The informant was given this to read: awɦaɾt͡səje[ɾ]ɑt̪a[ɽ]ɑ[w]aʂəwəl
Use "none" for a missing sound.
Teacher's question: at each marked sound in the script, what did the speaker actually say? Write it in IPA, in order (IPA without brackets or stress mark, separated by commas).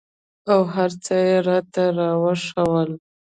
ɾ, ɾ, w